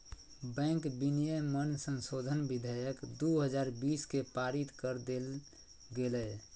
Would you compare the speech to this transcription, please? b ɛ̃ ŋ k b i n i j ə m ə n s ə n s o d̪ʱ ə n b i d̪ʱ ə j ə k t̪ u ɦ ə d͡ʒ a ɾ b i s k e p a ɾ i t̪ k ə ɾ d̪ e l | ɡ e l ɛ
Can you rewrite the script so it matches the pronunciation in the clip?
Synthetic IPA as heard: b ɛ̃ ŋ k b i n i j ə m ə n s ə n s o d̪ʱ ə n b i d̪ʱ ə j ə k d̪ u ɦ ə d͡ʒ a ɾ b i s k e p a ɾ i t̪ k ə ɾ d̪ e l | ɡ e l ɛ